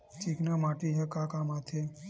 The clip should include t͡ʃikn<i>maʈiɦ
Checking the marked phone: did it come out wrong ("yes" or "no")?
yes